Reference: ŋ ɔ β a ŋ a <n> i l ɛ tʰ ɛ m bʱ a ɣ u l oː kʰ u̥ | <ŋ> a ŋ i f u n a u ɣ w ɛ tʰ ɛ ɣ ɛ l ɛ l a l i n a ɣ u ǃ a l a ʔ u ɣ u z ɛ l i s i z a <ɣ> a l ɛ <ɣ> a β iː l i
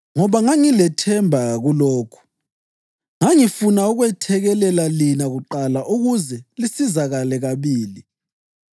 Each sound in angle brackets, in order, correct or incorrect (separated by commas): incorrect, correct, correct, correct